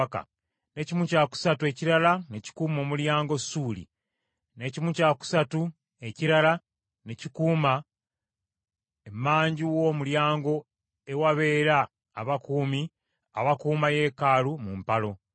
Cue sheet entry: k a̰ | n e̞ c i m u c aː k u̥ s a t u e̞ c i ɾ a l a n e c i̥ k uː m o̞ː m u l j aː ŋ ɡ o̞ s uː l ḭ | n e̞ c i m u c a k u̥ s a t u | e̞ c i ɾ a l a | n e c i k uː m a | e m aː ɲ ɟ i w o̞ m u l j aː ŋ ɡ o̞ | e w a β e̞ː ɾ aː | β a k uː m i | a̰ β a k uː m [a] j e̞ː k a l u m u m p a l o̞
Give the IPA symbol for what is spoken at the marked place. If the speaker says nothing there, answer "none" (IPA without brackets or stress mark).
a